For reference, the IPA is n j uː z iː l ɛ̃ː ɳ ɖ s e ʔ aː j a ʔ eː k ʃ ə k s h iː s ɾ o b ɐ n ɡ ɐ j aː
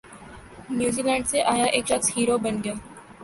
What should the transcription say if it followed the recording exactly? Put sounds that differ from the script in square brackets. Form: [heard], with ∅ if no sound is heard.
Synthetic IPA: n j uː z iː l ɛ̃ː ɳ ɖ s e ʔ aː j a ʔ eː k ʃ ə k s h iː [∅] ɾ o b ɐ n ɡ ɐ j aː